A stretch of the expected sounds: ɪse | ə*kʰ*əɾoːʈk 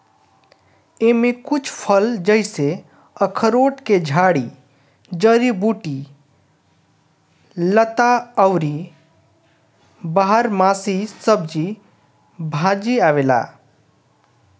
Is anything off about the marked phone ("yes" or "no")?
no